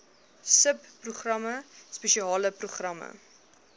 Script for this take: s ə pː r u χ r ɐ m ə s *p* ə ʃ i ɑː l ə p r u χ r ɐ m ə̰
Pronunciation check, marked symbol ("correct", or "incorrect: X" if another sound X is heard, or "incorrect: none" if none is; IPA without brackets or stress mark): correct